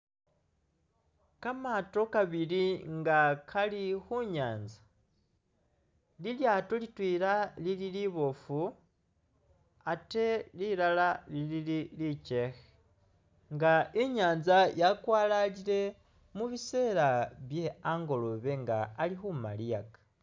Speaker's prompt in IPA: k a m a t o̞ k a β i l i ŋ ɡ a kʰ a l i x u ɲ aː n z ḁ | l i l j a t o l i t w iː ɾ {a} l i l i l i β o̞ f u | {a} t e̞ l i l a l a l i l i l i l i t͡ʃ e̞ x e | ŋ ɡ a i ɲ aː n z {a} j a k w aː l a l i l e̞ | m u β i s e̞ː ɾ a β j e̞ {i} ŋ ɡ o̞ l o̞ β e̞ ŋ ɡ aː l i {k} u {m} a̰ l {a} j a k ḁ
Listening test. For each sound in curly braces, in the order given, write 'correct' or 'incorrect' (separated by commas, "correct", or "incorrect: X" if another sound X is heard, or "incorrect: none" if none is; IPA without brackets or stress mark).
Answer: correct, correct, correct, incorrect: a, incorrect: x, correct, incorrect: i